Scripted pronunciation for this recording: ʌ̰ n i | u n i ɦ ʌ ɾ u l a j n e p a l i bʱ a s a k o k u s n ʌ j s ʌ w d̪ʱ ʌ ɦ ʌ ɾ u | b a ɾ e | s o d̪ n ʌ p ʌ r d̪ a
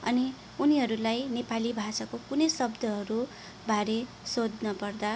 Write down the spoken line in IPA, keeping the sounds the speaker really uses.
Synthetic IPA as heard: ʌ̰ n i | u n i ɦ ʌ ɾ u l a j n e p a l i bʱ a s a k o k u n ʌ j s ʌ b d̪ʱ ʌ ɦ ʌ ɾ u | b a ɾ e | s o d̪ n ʌ p ʌ r d̪ a